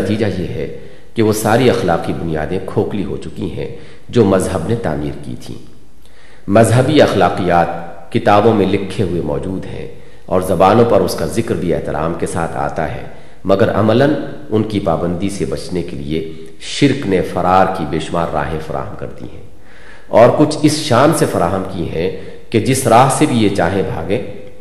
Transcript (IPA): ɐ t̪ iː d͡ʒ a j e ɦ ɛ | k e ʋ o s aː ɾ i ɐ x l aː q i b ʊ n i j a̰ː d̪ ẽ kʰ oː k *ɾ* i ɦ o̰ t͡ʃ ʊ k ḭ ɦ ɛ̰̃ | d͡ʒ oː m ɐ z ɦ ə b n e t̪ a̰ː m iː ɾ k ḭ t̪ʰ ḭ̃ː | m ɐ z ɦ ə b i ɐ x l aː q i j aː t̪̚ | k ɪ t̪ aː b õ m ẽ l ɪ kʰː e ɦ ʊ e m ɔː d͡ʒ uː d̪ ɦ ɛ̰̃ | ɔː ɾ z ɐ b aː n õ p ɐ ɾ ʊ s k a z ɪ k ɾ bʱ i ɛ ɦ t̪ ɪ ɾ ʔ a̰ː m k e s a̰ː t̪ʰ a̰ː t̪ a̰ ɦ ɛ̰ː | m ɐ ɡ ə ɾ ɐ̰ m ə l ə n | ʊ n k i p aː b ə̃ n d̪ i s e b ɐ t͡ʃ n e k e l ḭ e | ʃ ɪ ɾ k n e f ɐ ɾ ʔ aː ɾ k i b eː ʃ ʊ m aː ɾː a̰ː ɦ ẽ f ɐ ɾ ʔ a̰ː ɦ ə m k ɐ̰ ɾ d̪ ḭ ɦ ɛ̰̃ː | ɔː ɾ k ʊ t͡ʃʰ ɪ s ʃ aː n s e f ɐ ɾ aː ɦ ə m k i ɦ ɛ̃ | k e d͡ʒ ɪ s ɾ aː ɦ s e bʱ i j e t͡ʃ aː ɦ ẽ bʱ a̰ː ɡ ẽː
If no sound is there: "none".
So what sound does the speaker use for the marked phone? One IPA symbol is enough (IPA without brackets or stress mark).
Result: l